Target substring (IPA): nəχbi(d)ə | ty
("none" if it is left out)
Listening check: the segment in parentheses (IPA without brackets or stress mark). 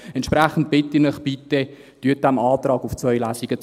t